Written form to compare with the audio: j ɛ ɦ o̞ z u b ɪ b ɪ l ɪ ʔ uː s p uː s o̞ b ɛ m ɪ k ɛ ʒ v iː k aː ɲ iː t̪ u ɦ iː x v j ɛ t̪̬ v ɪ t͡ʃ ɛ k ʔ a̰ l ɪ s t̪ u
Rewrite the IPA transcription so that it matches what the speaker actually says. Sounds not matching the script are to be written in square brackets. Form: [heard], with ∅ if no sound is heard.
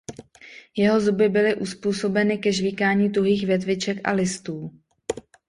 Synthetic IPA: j ɛ ɦ o̞ z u b ɪ b ɪ l ɪ ʔ [u] s p uː s o̞ b ɛ [n] ɪ k ɛ ʒ v iː k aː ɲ iː t̪ u ɦ iː x v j ɛ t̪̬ v ɪ t͡ʃ ɛ k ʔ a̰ l ɪ s t̪ [uː]